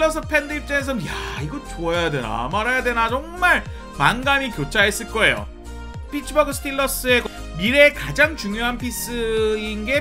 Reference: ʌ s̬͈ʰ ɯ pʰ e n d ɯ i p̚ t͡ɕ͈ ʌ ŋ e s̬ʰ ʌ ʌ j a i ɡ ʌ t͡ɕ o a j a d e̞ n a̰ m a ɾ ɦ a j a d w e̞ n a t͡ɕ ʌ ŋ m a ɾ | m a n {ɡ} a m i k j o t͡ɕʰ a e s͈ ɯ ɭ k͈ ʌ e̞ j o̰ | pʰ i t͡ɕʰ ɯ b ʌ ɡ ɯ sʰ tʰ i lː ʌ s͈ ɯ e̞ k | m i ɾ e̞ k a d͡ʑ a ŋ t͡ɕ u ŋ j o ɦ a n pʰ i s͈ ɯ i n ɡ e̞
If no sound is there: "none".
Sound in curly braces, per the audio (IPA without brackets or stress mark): ɡ